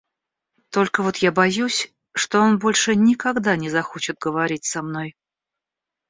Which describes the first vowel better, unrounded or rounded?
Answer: rounded